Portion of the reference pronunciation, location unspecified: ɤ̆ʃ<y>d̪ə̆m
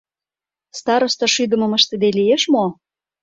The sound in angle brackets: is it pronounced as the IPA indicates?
yes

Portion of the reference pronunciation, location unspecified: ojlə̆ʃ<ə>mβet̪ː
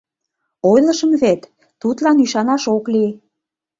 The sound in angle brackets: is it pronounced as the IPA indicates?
yes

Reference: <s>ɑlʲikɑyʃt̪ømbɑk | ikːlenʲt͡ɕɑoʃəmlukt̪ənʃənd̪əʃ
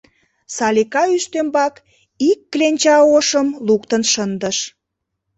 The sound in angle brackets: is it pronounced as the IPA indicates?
yes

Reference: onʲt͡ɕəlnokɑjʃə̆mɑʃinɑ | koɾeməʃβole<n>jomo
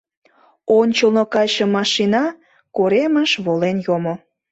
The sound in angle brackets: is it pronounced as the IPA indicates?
yes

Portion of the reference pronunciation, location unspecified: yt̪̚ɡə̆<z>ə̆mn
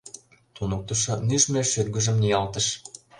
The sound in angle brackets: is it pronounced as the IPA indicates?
no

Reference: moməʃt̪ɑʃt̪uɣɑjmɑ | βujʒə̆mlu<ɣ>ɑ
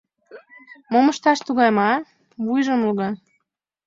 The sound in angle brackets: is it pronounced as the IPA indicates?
yes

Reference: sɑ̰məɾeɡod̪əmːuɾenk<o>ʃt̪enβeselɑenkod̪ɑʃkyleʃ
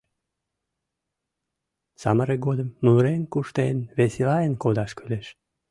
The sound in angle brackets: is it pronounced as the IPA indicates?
no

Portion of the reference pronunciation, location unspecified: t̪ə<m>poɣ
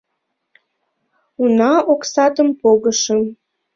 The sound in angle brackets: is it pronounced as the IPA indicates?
yes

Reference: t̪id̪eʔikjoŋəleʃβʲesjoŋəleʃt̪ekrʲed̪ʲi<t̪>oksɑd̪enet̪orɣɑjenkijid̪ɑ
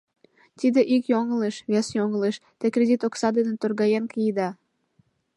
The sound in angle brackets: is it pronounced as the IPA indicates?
yes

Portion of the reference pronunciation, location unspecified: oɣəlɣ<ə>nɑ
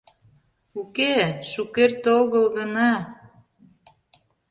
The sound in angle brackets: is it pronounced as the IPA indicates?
yes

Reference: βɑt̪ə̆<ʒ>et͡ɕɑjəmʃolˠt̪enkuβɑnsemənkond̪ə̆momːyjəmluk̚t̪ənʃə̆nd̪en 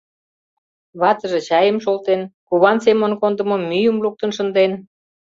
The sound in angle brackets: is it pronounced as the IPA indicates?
yes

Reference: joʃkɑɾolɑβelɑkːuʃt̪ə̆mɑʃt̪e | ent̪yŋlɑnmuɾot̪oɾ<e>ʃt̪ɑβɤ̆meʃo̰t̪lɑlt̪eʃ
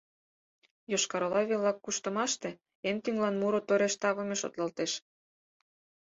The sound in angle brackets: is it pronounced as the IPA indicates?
yes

